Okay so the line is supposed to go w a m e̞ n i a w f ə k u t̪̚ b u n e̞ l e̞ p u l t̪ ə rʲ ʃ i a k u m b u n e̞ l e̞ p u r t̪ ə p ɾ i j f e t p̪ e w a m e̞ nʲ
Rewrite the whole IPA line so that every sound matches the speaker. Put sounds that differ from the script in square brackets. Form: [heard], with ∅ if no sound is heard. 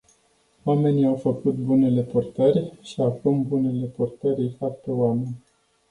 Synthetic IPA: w a m e̞ n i a w f ə k u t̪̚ b u n e̞ l e̞ p u [r] t̪ ə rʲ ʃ i a k u m b u n e̞ l e̞ p u r t̪ ə [∅] ɾ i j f [a] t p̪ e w a m e̞ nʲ